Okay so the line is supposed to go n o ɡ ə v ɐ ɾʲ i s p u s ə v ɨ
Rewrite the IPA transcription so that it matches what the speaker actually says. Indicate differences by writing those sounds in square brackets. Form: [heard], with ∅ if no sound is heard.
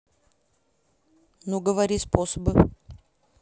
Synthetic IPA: n [u] ɡ ə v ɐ ɾʲ i s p [o] s ə [b] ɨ

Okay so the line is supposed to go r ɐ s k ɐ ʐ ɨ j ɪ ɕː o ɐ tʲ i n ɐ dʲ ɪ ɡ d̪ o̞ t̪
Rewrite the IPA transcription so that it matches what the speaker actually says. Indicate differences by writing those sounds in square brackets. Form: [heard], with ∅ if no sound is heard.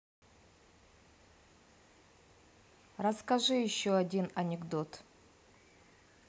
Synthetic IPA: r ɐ s k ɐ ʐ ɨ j ɪ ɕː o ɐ [dʲ] i n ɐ [nʲ] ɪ ɡ d̪ o̞ t̪

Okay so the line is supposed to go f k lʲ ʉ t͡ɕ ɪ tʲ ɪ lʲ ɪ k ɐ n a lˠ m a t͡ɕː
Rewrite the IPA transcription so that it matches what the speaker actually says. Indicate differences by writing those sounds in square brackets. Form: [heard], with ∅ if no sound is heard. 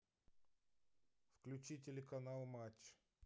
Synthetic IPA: f k lʲ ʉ t͡ɕ [i] tʲ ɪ lʲ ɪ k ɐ n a lˠ m a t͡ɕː

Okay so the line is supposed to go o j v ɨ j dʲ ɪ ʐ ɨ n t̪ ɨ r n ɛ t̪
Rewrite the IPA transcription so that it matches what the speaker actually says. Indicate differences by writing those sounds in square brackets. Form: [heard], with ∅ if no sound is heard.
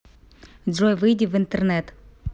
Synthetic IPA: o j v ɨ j dʲ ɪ [v] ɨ n t̪ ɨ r n ɛ t̪

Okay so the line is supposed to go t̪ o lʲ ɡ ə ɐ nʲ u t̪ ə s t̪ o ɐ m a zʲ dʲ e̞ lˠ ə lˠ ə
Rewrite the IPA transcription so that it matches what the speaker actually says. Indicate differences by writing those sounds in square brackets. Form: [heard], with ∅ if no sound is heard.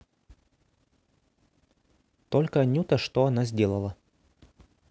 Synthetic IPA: t̪ o lʲ [k] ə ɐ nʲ u t̪ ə [ʂ] t̪ o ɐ [n] a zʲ dʲ e̞ lˠ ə lˠ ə

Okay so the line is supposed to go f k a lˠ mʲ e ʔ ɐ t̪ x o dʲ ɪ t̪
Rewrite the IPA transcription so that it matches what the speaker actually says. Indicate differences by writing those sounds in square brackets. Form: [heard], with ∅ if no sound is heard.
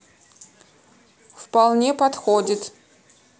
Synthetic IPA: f [p] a lˠ [nʲ] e [p] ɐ t̪ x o dʲ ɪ t̪

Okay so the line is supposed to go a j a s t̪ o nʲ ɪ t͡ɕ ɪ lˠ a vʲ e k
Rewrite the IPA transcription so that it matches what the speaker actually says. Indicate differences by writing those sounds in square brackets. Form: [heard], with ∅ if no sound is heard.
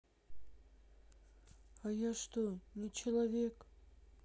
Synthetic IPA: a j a [ʂ] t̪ o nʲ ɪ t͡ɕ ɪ lˠ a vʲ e k

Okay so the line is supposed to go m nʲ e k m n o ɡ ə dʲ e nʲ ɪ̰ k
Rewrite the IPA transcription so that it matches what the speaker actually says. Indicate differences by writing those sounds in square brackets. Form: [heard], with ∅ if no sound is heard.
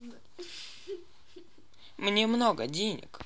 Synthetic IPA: m nʲ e [∅] m n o ɡ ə dʲ e nʲ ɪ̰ k

